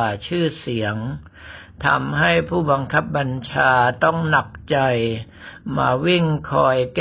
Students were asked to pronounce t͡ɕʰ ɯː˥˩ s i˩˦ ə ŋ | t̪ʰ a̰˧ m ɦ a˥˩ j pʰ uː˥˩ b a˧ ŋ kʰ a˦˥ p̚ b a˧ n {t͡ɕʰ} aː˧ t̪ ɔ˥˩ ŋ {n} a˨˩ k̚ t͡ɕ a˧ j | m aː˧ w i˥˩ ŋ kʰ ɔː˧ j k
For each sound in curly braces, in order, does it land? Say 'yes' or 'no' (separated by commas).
yes, yes